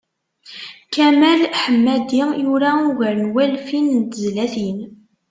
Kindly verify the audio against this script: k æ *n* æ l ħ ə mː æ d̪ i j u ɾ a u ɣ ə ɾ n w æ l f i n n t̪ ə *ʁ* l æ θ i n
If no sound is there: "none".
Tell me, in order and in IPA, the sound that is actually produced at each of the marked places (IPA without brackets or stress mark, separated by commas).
m, z